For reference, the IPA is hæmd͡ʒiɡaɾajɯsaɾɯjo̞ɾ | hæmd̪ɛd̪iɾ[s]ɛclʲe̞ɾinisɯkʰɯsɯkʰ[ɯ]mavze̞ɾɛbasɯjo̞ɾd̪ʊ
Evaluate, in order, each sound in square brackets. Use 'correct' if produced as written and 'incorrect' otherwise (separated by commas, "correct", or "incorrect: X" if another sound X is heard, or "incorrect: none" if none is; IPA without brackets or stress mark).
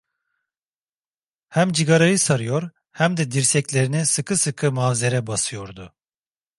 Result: correct, correct